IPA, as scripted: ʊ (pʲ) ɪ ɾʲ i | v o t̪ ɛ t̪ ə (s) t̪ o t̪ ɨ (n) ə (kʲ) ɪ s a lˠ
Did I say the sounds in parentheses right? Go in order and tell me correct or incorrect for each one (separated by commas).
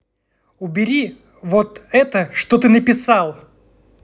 incorrect, incorrect, correct, incorrect